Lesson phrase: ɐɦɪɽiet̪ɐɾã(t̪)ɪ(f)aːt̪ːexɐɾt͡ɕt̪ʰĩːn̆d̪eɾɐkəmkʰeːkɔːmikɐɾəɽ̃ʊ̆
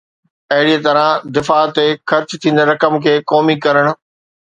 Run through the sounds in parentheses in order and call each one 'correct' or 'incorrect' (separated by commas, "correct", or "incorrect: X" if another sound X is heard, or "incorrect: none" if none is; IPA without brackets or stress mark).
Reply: incorrect: d̪, correct